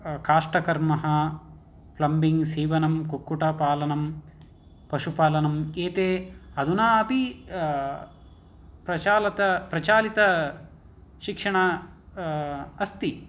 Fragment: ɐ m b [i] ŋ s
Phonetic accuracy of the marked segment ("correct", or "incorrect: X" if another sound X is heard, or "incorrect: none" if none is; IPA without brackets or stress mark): correct